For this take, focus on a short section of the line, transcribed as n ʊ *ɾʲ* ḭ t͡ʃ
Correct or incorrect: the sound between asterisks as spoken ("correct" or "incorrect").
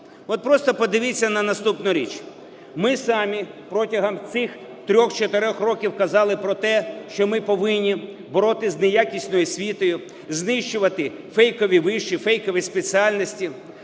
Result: correct